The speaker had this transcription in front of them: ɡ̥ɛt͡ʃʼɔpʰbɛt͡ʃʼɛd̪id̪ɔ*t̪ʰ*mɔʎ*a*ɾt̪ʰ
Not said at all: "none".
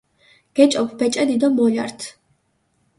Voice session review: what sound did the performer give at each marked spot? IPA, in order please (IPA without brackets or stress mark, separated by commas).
none, a